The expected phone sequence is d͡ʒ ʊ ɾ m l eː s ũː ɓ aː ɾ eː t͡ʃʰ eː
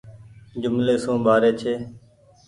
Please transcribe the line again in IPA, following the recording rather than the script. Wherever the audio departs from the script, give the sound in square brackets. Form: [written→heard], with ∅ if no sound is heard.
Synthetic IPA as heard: d͡ʒ ʊ [ɾ→∅] m l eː s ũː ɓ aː ɾ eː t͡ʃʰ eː